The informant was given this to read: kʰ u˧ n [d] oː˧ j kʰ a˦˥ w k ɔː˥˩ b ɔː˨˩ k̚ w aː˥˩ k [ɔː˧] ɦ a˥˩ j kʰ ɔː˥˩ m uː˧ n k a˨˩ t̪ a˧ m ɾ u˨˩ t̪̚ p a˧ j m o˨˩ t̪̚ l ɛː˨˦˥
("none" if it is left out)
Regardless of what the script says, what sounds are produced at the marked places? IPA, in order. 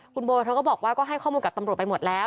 b, ɔː˥˩

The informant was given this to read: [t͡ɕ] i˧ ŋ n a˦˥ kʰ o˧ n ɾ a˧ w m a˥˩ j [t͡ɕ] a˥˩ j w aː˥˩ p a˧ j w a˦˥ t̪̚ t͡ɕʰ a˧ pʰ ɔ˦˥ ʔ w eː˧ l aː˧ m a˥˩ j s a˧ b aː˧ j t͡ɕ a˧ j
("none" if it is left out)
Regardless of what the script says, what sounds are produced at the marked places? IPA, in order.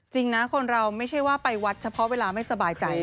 t͡ɕ, t͡ɕʰ

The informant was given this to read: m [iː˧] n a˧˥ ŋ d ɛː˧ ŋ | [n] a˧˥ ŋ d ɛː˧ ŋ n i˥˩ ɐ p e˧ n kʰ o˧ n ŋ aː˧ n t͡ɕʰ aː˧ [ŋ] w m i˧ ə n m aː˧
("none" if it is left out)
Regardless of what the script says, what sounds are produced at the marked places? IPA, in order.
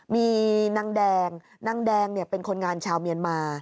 iː˧, n, none

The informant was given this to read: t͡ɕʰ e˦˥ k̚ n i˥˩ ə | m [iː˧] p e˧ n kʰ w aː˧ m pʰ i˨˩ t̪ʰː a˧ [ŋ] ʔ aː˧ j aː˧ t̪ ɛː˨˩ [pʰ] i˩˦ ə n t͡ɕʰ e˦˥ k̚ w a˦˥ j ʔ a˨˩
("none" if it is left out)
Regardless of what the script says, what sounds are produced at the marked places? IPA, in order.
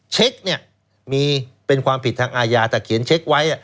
iː˧, ŋ, kʰ

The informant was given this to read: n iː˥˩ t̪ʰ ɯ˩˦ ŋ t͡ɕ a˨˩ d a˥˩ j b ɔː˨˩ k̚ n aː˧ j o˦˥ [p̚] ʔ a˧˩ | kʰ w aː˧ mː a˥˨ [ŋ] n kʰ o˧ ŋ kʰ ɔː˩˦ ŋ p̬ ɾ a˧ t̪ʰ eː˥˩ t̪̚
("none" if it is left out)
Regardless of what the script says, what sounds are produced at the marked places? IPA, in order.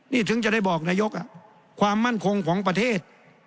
k̚, none

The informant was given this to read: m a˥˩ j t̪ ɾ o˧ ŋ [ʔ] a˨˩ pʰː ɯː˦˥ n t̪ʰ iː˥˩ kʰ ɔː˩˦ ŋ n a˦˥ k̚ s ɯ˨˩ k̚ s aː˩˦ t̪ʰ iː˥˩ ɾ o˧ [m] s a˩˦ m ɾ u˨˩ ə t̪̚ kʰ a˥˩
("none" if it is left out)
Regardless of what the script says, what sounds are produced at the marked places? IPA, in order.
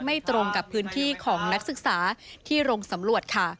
k, ŋ

